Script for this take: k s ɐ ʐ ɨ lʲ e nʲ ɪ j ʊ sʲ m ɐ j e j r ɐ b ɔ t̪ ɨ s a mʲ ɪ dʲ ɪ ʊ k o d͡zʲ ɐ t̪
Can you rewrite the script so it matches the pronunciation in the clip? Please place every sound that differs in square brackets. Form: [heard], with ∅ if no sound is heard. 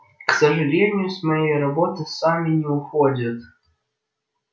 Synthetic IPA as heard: k s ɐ ʐ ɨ lʲ e nʲ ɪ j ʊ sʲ m ɐ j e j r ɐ b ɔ t̪ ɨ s a mʲ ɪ [nʲ] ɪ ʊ [x] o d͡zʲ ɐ t̪